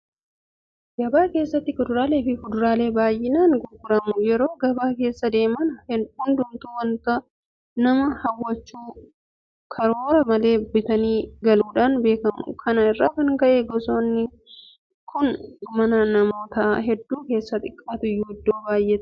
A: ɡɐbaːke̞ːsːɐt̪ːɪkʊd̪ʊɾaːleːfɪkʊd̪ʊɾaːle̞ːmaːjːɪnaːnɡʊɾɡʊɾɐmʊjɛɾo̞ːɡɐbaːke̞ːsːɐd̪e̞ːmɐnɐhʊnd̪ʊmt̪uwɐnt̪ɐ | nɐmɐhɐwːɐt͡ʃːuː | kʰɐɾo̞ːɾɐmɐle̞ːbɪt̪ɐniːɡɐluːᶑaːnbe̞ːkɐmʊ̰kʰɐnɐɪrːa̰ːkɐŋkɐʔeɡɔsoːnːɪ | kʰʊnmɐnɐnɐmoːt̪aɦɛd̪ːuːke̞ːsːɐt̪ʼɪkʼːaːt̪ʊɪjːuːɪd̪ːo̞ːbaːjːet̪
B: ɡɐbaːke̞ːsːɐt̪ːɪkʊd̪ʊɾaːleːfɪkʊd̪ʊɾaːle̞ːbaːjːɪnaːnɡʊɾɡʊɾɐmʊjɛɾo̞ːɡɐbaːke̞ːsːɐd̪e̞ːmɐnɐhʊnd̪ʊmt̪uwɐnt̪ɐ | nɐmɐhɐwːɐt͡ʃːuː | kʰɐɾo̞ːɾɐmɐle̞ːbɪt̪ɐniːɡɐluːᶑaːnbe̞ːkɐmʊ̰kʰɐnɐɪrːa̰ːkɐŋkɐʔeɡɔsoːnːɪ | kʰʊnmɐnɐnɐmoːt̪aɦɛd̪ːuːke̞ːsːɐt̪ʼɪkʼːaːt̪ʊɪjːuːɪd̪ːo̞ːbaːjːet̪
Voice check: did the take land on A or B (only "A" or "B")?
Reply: B